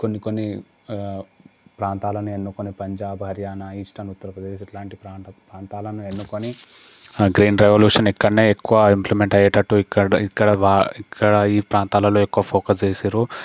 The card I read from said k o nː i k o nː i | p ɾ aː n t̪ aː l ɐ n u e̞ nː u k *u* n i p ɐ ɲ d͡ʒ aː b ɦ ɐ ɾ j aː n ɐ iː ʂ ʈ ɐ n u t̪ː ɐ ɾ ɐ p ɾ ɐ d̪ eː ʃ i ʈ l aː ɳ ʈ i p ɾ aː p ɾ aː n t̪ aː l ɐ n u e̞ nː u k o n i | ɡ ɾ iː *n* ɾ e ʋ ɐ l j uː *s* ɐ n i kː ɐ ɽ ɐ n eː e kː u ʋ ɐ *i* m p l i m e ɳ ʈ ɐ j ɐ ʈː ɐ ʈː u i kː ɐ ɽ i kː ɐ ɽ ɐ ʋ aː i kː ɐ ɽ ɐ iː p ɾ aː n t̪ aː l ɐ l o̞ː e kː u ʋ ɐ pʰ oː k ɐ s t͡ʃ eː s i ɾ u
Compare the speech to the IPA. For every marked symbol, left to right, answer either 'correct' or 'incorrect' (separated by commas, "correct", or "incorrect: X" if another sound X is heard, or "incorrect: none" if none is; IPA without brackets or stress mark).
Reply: incorrect: o, correct, incorrect: ʂ, correct